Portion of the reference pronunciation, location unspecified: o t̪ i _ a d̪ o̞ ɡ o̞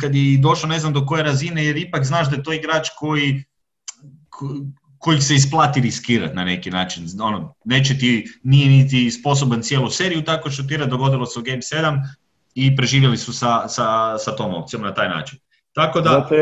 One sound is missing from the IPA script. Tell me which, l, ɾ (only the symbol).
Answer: ɾ